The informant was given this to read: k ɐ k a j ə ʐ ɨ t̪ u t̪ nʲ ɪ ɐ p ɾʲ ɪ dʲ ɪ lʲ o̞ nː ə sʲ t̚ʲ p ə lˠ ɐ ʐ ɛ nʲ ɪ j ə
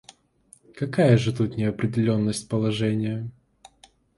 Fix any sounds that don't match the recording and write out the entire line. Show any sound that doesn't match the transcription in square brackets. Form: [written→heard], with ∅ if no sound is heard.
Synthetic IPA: k ɐ k a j ə ʐ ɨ t̪ u t̪ nʲ ɪ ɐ p ɾʲ ɪ dʲ ɪ lʲ o̞ nː ə sʲ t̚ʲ p ə lˠ ɐ ʐ ɛ nʲ ɪ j ə